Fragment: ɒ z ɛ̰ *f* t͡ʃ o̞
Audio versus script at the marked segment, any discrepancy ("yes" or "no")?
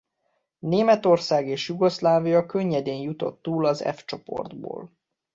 no